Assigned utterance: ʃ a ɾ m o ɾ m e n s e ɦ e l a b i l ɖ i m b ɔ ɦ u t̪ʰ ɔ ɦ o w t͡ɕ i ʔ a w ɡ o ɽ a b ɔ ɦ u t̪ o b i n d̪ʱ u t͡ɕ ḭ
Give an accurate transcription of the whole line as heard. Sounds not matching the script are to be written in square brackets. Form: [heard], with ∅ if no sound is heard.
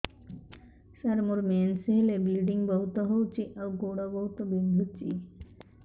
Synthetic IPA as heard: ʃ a ɾ m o ɾ m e n s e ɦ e l [e] b i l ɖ i [ŋ] b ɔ ɦ u [t̪] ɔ ɦ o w t͡ɕ i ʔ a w ɡ o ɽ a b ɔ ɦ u t̪ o b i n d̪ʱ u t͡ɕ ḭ

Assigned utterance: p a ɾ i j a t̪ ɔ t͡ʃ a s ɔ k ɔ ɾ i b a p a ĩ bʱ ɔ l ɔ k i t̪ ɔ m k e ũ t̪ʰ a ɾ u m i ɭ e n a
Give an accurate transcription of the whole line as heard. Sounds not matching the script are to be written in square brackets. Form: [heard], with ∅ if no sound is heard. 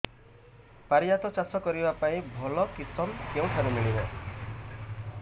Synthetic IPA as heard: p a ɾ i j a t̪ ɔ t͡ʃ a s ɔ k ɔ ɾ i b a p a ĩ bʱ ɔ l ɔ k i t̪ ɔ m k e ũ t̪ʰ a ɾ u m i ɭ [i] n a

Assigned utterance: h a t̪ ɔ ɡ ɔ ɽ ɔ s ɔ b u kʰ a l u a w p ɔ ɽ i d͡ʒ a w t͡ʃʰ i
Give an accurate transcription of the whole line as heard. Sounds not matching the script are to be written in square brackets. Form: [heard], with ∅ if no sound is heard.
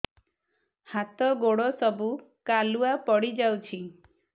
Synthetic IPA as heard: h a t̪ ɔ ɡ [o] ɽ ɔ s ɔ b u [k] a l u a [∅] p ɔ ɽ i d͡ʒ a w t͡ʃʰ i

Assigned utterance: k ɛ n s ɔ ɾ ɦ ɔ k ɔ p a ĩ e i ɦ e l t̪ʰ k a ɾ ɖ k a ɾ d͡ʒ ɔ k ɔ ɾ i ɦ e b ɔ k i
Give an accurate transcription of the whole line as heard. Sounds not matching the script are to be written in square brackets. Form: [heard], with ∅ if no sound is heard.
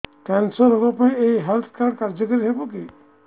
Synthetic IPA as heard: k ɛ n s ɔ ɾ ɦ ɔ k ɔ p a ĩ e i ɦ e l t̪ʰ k a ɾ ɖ k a ɾ d͡ʒ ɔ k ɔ ɾ i ɦ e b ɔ k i

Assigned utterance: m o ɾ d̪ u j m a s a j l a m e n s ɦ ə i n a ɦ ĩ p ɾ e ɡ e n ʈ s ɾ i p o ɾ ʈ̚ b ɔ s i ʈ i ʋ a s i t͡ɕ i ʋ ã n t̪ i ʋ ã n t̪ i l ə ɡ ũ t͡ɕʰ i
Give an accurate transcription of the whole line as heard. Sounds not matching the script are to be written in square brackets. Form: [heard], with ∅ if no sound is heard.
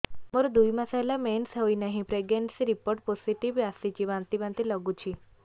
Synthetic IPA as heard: m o ɾ d̪ u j m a s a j l a m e n s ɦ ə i n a ɦ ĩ p ɾ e ɡ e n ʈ s ɾ i p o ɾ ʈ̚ [p] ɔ s i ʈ i ʋ a s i t͡ɕ i ʋ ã n t̪ i ʋ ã n t̪ i l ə ɡ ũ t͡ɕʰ i

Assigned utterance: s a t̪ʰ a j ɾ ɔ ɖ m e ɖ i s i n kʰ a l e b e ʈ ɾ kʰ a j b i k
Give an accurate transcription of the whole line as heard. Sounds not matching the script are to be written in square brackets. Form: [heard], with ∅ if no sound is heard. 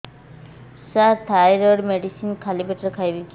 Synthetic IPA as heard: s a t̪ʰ a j ɾ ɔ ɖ m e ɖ i s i n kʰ a l [i] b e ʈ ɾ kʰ a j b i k

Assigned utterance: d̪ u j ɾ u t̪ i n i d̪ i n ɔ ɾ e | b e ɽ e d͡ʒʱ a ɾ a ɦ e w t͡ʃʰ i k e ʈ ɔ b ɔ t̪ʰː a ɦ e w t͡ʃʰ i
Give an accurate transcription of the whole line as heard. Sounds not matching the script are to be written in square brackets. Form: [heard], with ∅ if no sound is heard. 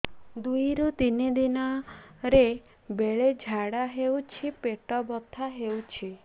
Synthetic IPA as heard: d̪ u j ɾ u t̪ i n i d̪ i n ɔ ɾ e | b e [ɭ] e d͡ʒʱ a [ɽ] a ɦ e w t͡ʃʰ i [p] e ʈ ɔ b ɔ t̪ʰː a ɦ e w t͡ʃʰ i

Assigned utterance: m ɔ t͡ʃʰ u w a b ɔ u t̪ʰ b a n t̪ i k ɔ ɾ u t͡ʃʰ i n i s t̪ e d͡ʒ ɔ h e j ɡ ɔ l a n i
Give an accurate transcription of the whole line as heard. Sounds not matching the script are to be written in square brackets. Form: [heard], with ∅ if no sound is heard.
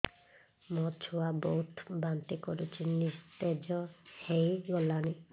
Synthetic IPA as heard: m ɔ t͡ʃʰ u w a b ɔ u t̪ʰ b a n t̪ i k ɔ ɾ u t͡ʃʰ i n i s t̪ e d͡ʒ ɔ h e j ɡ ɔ l a n i

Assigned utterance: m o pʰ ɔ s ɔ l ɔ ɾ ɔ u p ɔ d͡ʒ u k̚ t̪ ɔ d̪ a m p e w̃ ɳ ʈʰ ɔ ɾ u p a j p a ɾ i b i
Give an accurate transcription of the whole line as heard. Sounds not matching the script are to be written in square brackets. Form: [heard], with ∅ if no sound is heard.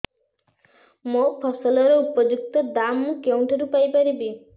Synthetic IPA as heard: m o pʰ ɔ s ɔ l ɔ ɾ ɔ u p ɔ d͡ʒ u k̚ t̪ ɔ d̪ a m [k] e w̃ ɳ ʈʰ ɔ ɾ u p a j p a ɾ i b i

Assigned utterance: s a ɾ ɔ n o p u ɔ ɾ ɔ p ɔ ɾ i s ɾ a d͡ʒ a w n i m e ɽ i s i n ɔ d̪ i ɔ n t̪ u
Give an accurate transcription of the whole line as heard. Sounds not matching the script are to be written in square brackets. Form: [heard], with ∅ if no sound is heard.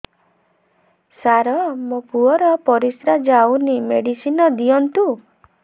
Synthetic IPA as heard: s a ɾ ɔ [m] o p u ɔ ɾ ɔ p ɔ ɾ i s ɾ a d͡ʒ a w n i m e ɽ i s i n ɔ d̪ i ɔ n t̪ u

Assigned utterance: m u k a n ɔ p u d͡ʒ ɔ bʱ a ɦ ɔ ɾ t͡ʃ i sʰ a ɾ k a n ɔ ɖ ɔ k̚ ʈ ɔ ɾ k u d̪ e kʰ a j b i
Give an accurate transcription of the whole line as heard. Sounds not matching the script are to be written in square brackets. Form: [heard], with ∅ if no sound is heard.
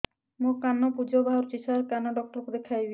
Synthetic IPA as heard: m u k a n ɔ p u d͡ʒ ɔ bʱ a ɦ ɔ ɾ t͡ʃ i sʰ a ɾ k a n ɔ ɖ ɔ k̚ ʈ ɔ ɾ k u d̪ e kʰ a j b i

